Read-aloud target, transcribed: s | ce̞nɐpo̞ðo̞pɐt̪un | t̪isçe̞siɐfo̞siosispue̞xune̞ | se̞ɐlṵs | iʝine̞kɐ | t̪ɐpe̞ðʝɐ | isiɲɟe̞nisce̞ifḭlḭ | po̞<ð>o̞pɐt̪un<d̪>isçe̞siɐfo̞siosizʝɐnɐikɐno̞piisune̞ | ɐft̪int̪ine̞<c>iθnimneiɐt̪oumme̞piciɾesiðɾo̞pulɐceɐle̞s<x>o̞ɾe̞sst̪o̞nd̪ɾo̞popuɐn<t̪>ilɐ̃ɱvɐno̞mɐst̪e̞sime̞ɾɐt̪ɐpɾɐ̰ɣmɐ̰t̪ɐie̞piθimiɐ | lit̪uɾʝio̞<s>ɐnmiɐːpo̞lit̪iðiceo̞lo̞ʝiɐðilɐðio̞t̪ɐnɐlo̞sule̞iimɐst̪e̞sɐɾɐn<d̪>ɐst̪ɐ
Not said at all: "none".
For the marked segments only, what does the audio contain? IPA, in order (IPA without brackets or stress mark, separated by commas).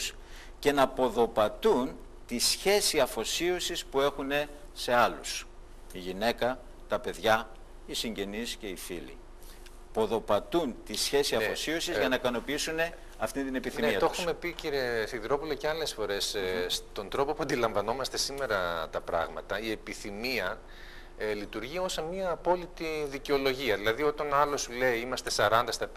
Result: ð, t̪, p, f, d̪, s, d̪